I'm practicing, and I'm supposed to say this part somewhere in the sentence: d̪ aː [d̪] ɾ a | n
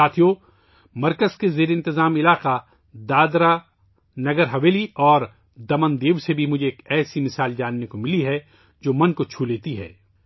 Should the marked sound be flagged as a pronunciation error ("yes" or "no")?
no